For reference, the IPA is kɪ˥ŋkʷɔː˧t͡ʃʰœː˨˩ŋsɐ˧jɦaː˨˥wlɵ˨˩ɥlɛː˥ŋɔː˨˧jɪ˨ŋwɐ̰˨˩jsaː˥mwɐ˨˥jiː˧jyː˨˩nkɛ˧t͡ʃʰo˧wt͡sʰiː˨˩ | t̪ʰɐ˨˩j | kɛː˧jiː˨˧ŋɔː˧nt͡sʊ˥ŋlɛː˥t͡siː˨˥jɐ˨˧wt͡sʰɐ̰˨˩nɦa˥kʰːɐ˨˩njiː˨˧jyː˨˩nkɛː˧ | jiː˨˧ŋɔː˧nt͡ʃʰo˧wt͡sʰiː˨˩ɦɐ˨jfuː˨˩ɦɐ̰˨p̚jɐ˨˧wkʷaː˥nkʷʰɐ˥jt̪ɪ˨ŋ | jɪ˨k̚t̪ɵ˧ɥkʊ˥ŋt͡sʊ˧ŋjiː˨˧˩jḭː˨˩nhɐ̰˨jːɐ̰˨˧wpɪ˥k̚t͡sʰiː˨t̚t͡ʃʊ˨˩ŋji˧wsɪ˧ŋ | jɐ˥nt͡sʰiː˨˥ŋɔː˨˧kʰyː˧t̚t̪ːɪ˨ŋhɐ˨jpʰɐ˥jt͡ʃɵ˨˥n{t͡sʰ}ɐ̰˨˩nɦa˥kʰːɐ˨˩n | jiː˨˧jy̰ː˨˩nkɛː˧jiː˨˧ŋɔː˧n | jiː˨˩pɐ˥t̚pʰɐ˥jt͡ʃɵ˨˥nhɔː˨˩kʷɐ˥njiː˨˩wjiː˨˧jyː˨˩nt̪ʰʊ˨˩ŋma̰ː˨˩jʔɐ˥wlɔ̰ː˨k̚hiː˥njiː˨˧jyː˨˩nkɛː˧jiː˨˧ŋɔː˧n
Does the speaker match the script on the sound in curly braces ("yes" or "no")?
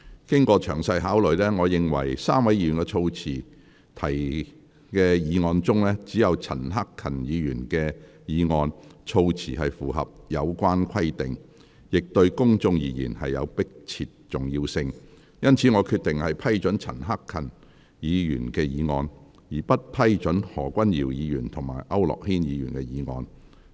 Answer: yes